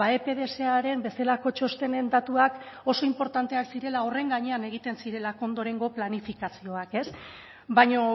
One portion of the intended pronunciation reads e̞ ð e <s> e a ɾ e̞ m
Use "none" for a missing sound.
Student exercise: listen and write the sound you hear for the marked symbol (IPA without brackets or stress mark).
s